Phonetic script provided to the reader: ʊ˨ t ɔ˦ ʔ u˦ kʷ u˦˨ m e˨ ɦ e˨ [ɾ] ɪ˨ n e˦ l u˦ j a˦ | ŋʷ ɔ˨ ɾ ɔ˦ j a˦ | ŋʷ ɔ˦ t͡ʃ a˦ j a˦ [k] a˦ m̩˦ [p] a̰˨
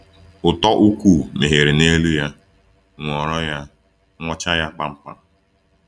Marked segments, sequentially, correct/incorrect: correct, incorrect, correct

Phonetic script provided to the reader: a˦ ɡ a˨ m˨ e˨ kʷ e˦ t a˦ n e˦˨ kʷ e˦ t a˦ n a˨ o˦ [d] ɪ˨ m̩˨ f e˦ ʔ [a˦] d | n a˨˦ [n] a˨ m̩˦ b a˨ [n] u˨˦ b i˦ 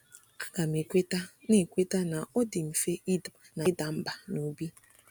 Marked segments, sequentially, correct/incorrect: correct, incorrect, incorrect, correct

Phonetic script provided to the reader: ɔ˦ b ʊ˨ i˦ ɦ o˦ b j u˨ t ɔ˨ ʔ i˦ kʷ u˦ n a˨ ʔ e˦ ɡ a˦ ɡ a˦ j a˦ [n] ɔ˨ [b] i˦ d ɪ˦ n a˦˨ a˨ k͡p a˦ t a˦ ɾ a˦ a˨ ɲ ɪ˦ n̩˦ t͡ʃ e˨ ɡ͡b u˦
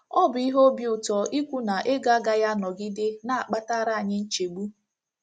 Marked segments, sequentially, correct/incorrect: correct, incorrect

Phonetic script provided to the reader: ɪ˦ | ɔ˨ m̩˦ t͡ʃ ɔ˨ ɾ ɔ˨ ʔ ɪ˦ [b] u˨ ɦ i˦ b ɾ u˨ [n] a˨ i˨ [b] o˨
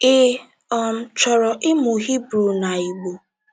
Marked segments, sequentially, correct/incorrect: incorrect, correct, incorrect

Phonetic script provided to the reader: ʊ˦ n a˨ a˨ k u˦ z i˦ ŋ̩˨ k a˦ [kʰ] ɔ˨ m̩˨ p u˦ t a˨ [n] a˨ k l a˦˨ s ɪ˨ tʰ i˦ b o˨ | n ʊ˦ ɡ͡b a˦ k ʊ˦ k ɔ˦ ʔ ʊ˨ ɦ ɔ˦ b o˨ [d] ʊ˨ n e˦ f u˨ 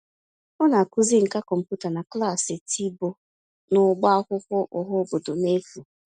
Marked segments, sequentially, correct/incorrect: incorrect, correct, correct

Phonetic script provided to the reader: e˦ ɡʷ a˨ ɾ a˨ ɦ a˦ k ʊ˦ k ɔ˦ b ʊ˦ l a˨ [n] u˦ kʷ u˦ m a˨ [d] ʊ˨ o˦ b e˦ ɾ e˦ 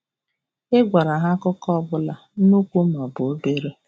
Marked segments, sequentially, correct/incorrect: correct, incorrect

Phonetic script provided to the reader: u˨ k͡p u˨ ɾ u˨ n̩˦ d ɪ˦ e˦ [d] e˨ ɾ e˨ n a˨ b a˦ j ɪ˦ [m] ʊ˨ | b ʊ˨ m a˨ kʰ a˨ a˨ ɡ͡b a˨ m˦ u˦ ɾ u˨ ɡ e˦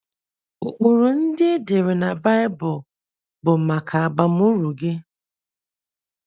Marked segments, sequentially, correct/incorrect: correct, incorrect

